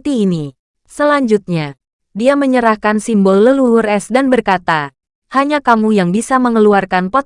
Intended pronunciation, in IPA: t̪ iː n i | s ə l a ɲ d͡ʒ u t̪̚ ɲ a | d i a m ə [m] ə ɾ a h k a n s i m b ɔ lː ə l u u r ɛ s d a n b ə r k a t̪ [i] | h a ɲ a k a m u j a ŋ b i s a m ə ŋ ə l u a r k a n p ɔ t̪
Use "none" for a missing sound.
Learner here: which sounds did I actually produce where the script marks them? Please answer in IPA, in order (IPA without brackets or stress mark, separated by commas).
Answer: ɲ, a